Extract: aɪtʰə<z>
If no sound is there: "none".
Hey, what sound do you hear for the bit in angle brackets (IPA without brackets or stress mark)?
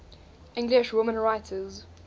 z